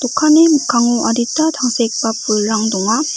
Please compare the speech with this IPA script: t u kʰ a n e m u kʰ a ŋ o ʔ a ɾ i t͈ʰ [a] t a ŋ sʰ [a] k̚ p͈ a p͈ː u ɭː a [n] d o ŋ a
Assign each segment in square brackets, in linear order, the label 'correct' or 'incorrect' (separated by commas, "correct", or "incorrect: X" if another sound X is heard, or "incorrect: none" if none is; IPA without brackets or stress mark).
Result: correct, incorrect: e, incorrect: ŋ